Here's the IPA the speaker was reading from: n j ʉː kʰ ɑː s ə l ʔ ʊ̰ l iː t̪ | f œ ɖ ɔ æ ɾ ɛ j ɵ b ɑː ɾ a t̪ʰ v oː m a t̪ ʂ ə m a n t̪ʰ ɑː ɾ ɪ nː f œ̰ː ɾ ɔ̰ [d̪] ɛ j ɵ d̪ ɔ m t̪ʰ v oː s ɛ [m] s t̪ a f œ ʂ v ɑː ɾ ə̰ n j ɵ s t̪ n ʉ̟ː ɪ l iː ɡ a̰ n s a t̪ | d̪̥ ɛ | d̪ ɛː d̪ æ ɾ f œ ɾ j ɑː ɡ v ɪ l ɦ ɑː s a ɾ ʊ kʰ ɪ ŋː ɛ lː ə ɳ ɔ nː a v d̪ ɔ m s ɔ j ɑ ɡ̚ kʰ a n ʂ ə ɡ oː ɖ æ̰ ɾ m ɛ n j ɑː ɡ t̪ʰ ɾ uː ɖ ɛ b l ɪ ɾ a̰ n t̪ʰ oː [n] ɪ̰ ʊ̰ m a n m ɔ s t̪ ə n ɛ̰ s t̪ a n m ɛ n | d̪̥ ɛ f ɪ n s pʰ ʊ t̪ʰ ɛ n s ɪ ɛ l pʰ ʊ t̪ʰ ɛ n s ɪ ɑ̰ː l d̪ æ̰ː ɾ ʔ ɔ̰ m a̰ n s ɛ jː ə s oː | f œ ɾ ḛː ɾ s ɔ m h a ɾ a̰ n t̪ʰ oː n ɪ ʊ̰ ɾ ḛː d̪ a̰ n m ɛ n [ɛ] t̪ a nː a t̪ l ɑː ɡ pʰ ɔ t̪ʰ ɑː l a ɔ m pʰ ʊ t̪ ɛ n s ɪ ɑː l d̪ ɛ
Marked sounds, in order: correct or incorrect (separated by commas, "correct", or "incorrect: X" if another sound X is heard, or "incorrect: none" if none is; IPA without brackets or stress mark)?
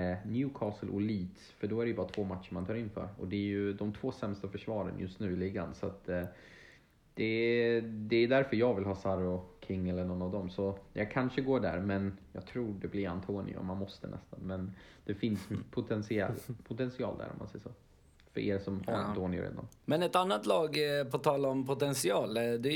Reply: correct, correct, correct, correct